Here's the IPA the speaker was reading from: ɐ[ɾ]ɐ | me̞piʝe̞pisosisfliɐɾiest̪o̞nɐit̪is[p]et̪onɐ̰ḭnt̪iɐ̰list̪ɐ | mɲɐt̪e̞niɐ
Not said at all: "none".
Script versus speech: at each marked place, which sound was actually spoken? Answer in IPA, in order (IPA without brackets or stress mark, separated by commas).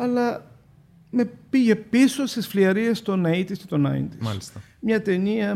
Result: l, c